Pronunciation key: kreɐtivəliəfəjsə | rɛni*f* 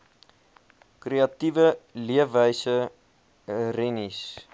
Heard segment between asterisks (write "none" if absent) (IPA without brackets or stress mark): s